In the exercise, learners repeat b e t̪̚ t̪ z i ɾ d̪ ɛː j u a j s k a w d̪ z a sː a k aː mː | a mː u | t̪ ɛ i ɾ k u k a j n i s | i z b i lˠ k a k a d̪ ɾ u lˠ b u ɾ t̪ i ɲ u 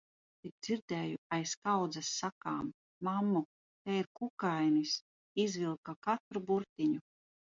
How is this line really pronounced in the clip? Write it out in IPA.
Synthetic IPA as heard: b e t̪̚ d̪ z i ɾ d̪ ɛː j u a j s k a w d̪ z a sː a k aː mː | a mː u | t̪ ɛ i ɾ k u k a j n i s | i z v i lˠ k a k a t̪ ɾ u b u ɾ t̪ i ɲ u